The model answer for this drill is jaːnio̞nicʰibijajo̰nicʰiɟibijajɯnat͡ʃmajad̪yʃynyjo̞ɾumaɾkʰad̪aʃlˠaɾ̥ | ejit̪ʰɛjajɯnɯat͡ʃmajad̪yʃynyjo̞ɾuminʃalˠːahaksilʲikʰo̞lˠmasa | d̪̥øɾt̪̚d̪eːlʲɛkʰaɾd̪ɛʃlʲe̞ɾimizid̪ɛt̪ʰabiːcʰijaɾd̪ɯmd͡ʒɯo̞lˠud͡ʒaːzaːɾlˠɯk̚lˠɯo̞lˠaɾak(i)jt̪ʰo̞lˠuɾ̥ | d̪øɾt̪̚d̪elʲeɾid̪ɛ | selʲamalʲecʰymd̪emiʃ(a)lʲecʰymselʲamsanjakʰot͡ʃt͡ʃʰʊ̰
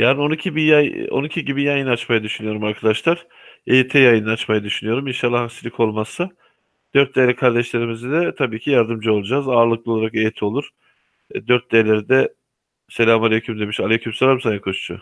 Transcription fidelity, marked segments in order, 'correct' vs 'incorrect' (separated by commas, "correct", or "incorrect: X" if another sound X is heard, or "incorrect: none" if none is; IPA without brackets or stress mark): incorrect: e, correct